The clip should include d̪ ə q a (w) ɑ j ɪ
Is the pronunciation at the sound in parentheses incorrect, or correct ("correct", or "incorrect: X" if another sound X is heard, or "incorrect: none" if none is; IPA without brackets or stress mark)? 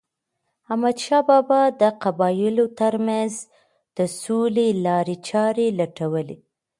incorrect: b